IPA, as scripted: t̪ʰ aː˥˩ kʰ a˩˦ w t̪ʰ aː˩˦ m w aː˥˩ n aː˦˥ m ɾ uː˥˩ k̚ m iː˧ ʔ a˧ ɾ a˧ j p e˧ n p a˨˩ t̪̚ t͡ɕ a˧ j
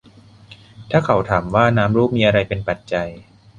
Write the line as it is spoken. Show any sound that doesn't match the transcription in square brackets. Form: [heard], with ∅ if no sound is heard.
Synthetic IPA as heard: t̪ʰ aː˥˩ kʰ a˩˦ w t̪ʰ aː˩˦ m w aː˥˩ n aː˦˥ m ɾ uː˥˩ [p̚] m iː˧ ʔ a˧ ɾ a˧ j p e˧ n p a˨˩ t̪̚ t͡ɕ a˧ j